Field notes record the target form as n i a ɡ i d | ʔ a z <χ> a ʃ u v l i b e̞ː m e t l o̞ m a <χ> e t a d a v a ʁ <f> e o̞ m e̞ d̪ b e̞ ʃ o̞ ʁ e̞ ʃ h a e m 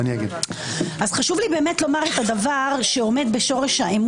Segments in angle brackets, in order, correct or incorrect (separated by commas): correct, incorrect, incorrect